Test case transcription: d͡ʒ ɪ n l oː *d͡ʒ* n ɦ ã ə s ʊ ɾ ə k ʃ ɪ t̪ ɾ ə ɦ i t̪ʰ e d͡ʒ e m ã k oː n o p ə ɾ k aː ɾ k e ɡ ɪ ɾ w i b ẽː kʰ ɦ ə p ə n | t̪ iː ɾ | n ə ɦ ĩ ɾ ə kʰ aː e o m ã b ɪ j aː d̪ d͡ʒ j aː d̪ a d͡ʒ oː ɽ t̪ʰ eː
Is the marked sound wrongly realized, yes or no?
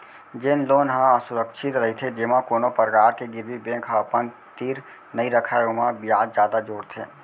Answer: yes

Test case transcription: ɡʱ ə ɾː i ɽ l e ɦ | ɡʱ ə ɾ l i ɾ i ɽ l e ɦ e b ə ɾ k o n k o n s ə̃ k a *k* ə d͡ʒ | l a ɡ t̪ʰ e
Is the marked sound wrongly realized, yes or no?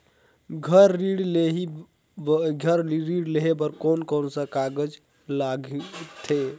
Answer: yes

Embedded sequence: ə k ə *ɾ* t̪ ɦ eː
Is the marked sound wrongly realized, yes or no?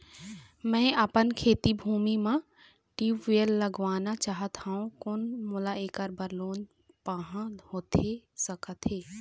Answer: yes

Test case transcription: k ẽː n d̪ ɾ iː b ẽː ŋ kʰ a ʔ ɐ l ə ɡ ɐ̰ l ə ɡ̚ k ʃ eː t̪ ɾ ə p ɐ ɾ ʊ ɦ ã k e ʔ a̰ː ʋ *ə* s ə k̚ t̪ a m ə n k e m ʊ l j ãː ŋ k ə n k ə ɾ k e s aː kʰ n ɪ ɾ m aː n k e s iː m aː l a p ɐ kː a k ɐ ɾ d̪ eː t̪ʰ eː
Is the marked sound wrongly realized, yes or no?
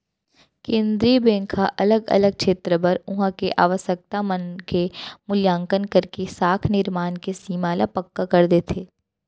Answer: no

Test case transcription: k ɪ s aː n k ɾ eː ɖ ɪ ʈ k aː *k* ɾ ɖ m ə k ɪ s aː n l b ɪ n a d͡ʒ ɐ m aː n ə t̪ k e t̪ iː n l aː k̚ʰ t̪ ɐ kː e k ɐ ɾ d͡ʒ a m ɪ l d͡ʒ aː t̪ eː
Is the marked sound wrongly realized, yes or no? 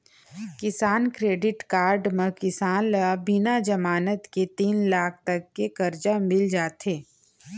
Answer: yes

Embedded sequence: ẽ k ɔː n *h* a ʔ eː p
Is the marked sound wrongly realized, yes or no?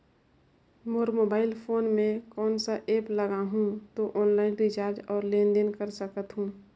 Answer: yes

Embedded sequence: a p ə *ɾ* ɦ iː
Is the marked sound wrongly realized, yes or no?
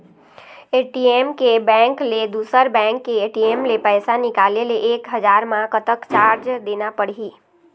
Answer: yes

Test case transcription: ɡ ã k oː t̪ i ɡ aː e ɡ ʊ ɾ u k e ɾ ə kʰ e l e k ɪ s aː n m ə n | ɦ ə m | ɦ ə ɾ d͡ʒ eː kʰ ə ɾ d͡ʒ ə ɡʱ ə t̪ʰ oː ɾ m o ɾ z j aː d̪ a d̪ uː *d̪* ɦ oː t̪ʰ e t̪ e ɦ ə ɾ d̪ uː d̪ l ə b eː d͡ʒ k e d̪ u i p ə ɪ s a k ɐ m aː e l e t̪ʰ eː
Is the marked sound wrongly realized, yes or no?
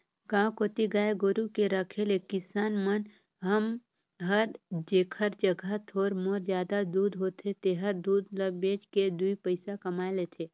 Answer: no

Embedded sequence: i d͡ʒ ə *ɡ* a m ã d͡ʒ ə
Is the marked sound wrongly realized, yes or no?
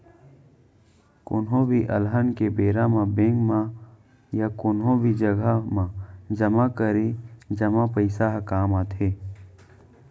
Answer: no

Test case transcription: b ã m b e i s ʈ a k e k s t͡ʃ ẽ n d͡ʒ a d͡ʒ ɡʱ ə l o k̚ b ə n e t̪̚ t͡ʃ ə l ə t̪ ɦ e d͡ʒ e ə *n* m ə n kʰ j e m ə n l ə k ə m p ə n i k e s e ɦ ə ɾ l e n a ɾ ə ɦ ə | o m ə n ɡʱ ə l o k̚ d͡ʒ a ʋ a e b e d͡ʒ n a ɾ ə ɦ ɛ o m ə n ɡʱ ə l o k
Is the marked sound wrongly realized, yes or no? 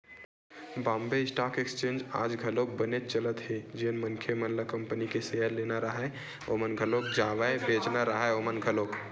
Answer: no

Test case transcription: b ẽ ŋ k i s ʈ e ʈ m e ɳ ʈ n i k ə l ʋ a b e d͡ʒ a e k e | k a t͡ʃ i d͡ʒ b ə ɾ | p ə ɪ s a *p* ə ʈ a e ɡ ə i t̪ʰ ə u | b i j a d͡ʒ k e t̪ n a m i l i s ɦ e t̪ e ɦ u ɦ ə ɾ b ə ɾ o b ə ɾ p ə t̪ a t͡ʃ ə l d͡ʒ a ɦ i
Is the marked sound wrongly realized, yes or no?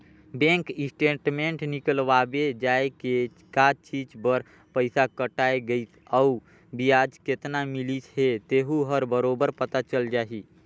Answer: yes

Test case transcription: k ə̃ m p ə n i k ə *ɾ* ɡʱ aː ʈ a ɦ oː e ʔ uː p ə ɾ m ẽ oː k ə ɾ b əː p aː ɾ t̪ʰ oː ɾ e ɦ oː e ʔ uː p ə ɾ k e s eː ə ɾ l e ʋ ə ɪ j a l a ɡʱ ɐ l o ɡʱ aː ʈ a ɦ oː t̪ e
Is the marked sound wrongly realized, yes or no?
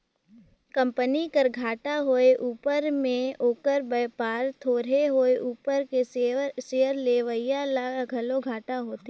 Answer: no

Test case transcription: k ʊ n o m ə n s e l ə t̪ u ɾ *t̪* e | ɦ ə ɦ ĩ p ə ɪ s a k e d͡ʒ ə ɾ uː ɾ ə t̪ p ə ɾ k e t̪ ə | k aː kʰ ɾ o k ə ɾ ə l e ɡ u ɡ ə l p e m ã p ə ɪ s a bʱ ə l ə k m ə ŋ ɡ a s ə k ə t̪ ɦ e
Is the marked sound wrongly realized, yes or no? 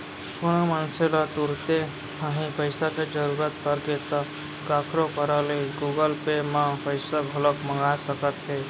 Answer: no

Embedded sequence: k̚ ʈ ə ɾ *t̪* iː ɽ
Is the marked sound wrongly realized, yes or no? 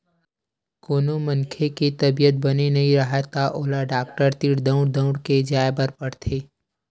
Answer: no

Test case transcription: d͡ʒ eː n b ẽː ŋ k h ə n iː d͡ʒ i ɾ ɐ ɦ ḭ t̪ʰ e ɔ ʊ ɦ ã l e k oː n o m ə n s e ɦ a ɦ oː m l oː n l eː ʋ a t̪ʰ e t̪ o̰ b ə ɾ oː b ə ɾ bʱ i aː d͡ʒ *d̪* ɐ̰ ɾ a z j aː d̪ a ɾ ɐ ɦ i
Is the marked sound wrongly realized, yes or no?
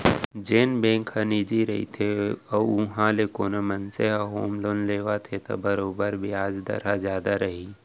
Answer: no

